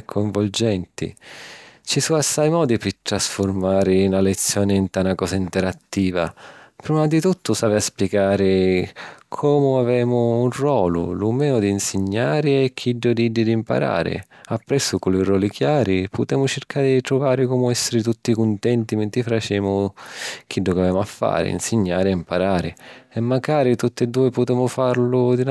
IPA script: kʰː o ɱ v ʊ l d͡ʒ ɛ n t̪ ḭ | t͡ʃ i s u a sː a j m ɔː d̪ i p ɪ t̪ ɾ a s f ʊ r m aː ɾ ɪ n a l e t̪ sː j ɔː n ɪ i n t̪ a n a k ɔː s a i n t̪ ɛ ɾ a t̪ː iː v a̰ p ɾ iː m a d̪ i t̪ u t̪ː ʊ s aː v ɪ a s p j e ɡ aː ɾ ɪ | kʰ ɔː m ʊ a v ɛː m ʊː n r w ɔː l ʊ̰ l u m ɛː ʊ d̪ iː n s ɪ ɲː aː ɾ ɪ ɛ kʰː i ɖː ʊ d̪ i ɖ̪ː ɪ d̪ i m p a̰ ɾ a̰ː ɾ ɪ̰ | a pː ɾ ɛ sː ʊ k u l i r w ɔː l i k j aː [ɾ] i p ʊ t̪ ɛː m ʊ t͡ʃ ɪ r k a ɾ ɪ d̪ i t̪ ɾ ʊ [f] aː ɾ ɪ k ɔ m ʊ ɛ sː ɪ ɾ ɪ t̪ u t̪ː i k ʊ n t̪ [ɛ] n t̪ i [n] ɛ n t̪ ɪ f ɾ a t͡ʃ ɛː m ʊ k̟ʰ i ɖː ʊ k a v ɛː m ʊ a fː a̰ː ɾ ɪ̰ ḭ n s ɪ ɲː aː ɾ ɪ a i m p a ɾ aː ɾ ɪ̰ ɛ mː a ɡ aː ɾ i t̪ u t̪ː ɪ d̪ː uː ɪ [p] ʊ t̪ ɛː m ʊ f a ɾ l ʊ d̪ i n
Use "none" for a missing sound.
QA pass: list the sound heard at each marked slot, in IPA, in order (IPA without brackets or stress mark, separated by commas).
ɾ, v, ɛ, m, p